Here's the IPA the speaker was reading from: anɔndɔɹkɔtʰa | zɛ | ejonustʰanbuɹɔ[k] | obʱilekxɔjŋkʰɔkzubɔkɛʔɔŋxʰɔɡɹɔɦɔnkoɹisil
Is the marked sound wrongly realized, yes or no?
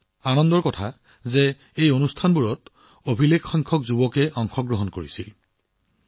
yes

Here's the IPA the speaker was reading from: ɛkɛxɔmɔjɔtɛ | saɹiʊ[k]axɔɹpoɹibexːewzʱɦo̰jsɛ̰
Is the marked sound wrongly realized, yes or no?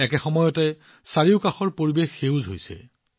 no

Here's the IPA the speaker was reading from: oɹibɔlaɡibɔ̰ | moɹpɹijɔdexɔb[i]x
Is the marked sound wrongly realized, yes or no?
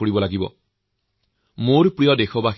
yes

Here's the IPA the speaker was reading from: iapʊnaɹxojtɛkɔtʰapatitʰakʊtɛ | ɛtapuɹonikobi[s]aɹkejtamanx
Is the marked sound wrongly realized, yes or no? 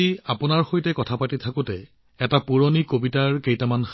yes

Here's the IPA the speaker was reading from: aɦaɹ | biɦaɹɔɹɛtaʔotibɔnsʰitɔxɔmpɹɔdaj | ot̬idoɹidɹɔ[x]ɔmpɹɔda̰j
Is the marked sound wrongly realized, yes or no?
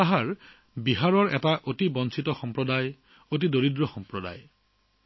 no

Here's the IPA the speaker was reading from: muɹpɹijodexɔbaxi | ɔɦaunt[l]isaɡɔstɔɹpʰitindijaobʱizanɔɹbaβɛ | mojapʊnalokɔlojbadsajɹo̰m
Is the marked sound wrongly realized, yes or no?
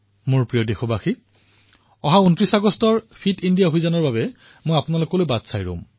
yes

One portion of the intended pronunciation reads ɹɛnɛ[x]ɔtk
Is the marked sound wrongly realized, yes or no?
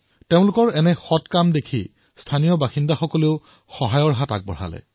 no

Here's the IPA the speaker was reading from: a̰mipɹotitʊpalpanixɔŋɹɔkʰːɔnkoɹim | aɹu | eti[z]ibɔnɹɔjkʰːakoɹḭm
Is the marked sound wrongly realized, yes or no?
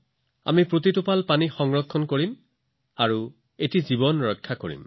no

